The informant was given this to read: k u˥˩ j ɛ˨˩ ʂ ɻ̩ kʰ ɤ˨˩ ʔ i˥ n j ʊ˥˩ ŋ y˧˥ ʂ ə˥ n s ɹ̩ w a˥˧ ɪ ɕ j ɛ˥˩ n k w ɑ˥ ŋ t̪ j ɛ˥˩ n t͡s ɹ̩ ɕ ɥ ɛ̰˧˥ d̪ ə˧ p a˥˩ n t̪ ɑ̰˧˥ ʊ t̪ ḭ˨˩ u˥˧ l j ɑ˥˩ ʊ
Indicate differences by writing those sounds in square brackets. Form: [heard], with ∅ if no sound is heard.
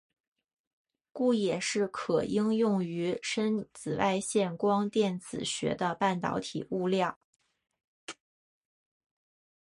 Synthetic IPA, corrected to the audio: k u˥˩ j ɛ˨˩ ʂ ɻ̩ kʰ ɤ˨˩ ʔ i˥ [ŋ] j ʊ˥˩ ŋ y˧˥ ʂ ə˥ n [t͡s] ɹ̩ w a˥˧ ɪ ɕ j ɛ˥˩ n k w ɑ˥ ŋ t̪ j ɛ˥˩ n t͡s ɹ̩ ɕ ɥ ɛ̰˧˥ d̪ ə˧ p a˥˩ n t̪ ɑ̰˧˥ ʊ [t̪ʰ] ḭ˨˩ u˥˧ l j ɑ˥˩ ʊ